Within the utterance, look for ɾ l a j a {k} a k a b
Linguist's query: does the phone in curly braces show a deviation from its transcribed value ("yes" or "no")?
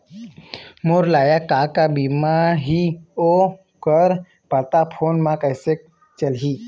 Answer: no